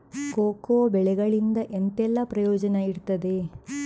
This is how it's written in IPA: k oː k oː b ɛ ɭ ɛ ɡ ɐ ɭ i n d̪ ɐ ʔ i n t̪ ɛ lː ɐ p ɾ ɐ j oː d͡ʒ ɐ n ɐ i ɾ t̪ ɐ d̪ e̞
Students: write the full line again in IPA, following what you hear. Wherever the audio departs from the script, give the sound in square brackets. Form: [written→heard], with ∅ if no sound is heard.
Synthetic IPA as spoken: k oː k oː b ɛ ɭ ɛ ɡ ɐ ɭ i n d̪ ɐ ʔ [i→e] n t̪ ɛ lː ɐ p ɾ ɐ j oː d͡ʒ ɐ n ɐ i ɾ t̪ ɐ d̪ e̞